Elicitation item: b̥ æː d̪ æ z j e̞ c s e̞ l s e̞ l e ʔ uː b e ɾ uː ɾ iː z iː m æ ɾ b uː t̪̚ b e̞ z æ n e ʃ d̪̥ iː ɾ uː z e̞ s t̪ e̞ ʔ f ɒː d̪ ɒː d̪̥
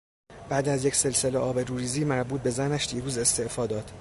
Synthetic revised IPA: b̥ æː d̪ æ z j e̞ c s e̞ l s e̞ l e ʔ ɒː b e ɾ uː ɾ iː z iː m æ ɾ b uː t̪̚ b e̞ z æ n æ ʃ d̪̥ iː ɾ uː z e̞ s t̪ e̞ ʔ f ɒː d̪ ɒː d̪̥